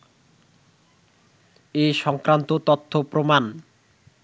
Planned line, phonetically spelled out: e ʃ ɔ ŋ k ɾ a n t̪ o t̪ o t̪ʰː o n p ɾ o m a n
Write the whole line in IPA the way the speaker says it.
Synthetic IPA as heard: e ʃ ɔ ŋ k ɾ a n t̪ o t̪ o t̪ʰː o p ɾ o m a n